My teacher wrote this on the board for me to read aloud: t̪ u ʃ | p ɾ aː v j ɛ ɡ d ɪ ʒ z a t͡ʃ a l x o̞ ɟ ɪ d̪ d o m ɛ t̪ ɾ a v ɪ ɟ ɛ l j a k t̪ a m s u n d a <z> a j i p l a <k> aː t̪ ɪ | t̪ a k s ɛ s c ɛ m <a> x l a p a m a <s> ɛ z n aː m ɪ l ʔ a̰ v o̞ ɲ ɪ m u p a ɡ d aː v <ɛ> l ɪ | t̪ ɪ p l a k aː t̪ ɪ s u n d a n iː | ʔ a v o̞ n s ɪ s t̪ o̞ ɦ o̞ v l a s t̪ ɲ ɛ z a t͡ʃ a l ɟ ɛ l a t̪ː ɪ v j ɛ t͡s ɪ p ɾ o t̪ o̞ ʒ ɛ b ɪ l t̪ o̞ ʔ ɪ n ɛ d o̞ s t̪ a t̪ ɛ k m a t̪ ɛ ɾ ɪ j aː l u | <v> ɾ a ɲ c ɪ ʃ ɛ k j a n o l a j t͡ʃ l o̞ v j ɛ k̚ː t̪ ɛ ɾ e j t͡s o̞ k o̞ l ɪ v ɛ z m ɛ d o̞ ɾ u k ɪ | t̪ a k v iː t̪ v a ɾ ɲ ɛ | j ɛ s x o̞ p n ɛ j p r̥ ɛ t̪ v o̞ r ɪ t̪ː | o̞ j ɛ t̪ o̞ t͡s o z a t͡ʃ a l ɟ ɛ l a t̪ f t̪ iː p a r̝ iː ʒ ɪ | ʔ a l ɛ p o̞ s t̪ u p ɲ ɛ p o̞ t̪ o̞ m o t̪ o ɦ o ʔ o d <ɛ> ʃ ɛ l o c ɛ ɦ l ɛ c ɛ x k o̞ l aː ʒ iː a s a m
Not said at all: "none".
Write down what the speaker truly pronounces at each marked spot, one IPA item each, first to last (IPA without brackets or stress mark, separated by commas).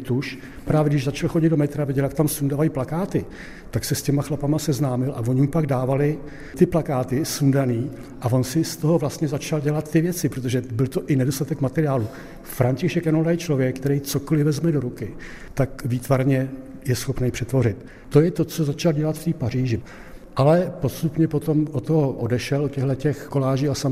v, k, a, s, a, f, ɛ